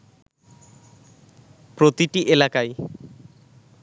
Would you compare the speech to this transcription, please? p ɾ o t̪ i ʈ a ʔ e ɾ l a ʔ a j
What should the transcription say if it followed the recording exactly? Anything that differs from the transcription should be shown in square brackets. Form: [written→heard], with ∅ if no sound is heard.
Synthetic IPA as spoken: p ɾ o t̪ i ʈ [a→i] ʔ e [ɾ→∅] l a [ʔ→k] a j